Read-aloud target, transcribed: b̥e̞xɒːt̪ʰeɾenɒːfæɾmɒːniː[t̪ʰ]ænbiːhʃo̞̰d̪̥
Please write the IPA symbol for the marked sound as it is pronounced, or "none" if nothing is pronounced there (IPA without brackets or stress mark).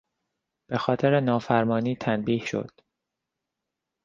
t̪ʰ